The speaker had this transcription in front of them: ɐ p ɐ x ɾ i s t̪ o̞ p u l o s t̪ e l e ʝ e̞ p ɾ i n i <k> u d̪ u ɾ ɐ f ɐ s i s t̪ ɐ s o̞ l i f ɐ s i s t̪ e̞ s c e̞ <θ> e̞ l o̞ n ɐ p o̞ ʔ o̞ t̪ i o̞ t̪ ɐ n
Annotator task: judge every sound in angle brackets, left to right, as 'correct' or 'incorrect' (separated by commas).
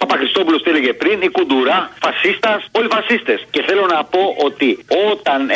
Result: correct, correct